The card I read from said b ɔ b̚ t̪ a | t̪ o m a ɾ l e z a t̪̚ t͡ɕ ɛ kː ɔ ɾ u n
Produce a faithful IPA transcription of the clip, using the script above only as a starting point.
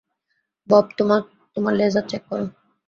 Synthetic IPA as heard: b ɔ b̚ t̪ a | t̪ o m a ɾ l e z a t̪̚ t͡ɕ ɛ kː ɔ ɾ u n